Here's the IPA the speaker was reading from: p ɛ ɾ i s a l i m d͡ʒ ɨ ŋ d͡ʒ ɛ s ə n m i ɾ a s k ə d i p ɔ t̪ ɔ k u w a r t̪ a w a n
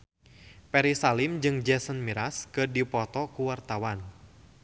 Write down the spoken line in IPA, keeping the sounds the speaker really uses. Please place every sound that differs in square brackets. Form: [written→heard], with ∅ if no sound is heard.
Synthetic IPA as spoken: p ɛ ɾ i s a l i m d͡ʒ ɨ ŋ d͡ʒ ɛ s ə n m i ɾ a s k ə d i p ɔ t̪ ɔ k u w a r t̪ a w a n